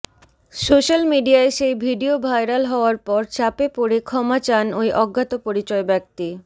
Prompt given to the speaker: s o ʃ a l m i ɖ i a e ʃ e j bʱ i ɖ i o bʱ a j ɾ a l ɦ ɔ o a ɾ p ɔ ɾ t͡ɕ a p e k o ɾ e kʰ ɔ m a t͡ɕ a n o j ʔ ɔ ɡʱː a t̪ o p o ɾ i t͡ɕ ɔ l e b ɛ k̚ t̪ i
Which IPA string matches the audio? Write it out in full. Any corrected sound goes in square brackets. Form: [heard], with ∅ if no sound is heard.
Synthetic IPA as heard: s o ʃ a l m i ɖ i a e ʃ e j bʱ i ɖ i o bʱ a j ɾ a l ɦ ɔ o a ɾ p ɔ ɾ t͡ɕ a p e [p] o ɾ e kʰ ɔ m a t͡ɕ a n o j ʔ ɔ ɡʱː a t̪ o p o ɾ i t͡ɕ ɔ [∅] e b ɛ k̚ t̪ i